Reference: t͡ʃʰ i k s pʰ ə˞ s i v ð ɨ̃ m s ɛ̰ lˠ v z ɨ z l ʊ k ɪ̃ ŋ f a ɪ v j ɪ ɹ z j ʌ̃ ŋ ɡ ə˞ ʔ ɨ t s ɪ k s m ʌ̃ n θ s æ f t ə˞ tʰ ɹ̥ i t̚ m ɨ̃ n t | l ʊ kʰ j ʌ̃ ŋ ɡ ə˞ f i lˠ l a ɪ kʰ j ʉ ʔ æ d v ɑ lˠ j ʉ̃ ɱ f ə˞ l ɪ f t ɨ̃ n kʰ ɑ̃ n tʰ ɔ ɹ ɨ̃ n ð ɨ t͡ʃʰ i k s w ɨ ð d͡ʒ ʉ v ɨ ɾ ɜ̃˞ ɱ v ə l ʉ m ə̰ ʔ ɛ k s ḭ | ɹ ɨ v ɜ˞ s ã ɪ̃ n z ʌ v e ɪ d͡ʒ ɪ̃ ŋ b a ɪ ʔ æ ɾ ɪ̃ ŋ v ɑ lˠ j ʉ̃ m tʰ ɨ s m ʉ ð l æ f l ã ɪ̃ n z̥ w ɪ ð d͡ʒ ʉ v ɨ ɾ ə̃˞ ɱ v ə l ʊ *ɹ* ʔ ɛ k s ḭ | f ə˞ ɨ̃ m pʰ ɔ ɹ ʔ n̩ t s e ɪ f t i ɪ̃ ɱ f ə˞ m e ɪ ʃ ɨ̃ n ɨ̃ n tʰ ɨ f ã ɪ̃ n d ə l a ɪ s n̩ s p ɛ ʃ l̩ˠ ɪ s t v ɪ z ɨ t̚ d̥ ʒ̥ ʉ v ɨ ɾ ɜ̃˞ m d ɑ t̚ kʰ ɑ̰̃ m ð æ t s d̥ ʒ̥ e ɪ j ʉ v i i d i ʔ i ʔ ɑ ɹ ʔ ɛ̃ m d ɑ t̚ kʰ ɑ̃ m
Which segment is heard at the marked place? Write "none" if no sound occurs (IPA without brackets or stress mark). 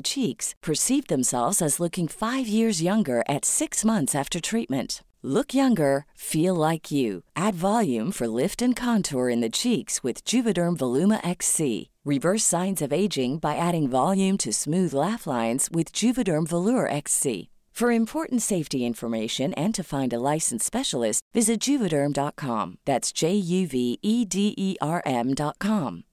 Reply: ɹ